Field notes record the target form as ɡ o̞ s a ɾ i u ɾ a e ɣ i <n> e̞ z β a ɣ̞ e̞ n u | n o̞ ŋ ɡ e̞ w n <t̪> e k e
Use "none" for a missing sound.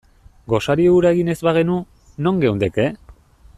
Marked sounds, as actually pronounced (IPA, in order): n, d̪

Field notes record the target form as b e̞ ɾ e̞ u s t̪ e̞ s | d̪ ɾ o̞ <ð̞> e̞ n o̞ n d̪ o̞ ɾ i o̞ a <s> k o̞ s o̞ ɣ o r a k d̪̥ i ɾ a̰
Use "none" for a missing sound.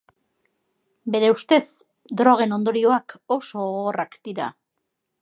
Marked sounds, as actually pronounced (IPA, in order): ɣ̞, none

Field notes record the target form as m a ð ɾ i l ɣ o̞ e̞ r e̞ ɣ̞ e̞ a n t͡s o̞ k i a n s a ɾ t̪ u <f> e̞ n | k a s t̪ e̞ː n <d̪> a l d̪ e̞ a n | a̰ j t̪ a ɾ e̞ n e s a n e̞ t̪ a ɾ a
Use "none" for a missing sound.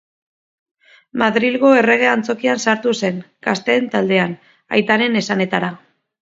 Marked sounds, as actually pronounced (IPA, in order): s, t̪

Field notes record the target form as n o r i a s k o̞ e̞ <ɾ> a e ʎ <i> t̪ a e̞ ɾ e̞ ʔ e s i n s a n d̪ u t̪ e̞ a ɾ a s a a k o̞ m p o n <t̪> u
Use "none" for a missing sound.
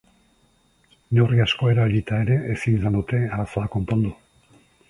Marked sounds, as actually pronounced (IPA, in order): ɾ, i, d̪

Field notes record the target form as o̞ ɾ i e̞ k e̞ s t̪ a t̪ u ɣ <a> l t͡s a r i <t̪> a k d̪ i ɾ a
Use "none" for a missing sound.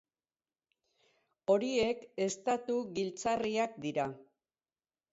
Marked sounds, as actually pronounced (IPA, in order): i, none

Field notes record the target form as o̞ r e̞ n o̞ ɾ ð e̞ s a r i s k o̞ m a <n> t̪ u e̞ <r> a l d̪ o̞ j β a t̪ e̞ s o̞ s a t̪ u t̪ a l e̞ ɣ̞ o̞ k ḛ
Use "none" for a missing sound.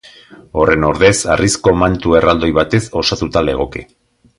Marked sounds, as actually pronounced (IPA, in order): n, r

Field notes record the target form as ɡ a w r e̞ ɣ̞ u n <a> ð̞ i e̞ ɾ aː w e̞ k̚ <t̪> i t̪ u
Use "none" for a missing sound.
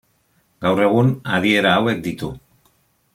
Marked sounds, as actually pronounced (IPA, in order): a, d̪

